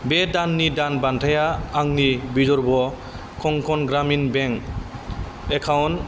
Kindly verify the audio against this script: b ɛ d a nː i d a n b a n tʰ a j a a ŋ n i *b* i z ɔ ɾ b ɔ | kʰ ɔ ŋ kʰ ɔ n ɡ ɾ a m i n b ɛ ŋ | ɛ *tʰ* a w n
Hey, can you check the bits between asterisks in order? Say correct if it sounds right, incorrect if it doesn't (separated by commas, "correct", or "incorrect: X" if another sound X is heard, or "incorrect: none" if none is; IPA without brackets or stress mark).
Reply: correct, incorrect: kʰ